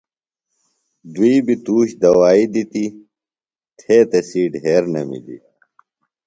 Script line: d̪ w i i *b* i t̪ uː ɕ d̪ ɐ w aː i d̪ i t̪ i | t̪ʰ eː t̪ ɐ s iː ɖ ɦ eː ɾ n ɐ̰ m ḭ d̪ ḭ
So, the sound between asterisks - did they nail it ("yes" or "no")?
yes